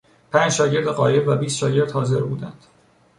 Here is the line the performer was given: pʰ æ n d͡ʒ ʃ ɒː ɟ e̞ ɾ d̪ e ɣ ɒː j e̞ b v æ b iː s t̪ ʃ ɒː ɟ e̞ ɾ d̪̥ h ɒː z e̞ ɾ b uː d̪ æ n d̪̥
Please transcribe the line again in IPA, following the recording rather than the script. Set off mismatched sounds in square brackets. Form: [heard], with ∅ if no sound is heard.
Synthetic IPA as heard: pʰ æ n d͡ʒ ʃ ɒː ɟ e̞ ɾ d̪ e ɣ ɒː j e̞ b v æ b iː s t̪ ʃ ɒː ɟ e̞ ɾ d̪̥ h ɒː z e̞ ɾ b uː d̪ æ n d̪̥